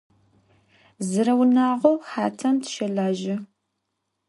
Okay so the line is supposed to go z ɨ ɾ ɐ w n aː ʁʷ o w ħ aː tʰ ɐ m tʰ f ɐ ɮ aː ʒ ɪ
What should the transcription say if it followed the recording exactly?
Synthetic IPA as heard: z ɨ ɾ ɐ w n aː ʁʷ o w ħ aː tʰ ɐ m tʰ ʃ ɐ ɮ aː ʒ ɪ